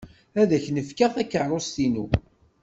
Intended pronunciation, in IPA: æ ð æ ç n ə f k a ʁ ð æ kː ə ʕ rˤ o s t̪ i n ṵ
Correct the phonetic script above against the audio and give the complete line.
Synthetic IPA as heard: æ ð æ ç n ə f k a ʁ θ æ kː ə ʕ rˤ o s t̪ i n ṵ